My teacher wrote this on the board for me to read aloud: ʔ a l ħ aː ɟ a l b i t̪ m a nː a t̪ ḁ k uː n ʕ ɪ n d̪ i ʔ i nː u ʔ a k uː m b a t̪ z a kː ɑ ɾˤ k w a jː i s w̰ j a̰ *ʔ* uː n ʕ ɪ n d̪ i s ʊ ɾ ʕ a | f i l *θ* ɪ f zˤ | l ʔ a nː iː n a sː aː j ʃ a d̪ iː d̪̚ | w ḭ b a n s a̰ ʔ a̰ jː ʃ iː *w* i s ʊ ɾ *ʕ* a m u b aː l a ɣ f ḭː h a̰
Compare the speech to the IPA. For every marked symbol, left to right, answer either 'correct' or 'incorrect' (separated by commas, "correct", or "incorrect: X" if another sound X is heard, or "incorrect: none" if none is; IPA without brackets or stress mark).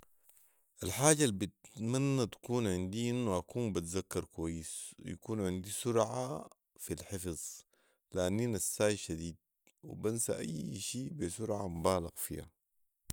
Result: incorrect: k, incorrect: ħ, incorrect: b, correct